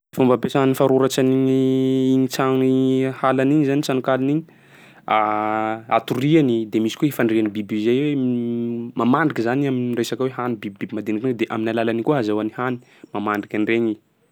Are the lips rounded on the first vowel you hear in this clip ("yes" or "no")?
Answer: yes